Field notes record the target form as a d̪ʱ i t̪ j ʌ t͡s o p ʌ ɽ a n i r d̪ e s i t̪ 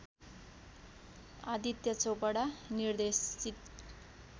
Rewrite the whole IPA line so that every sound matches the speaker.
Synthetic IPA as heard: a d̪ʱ i t̪ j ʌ t͡s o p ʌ ɽ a n i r d̪ e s i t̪